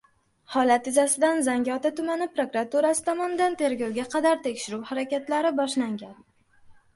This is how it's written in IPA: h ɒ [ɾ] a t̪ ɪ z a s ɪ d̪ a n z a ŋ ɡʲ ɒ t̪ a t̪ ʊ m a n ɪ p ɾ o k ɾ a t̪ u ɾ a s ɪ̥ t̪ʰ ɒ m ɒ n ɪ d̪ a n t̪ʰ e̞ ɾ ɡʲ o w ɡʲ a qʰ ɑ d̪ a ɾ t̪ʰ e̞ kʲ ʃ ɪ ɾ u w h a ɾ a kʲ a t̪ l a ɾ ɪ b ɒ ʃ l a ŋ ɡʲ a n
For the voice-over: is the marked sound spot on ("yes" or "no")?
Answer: no